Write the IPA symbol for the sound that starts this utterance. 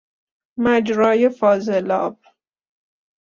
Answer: m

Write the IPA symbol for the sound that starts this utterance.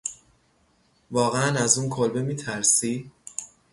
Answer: v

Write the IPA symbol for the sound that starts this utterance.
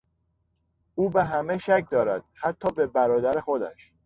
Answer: uː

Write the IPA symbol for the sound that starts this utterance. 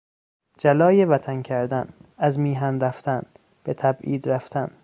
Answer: d͡ʒ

